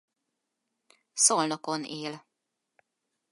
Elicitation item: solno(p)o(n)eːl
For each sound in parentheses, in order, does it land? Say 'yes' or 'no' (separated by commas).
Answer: no, yes